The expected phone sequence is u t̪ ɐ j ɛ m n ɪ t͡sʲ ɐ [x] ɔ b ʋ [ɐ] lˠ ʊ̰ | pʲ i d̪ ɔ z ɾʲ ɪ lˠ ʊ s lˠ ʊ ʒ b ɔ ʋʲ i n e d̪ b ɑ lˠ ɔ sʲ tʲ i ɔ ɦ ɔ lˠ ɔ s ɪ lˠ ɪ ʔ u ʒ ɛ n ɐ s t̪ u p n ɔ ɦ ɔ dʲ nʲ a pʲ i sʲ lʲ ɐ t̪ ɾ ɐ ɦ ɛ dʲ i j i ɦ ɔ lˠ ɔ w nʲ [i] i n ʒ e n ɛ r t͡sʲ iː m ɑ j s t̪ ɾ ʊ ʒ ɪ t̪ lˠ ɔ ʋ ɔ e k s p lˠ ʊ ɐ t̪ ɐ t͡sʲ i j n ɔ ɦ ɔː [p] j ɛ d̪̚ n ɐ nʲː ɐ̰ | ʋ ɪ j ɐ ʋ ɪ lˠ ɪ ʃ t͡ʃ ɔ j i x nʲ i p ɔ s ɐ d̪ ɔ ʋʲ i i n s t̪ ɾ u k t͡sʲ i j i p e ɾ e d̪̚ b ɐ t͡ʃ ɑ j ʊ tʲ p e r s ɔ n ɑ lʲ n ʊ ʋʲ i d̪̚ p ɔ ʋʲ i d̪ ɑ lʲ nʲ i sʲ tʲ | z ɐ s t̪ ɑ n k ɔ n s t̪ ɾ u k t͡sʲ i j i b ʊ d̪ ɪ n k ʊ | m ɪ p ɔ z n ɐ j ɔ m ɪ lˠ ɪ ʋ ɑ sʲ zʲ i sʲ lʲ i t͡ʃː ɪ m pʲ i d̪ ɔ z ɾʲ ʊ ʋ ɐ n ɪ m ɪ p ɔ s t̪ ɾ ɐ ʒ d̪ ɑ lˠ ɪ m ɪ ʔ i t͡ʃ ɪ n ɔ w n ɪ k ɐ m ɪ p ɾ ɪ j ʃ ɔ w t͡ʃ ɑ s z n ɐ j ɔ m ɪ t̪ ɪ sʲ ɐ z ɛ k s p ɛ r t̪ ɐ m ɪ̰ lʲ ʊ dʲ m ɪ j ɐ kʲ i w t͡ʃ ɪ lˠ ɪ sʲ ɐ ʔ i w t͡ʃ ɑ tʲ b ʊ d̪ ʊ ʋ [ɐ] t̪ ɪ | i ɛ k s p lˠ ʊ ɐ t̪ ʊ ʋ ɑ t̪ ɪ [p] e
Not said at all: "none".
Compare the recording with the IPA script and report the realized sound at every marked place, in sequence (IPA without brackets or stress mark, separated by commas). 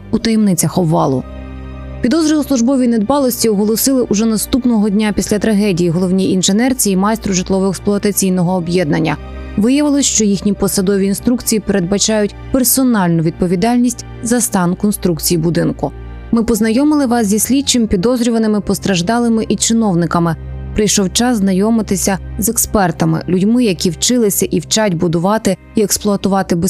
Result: x, ɑ, i, b, ɑ, b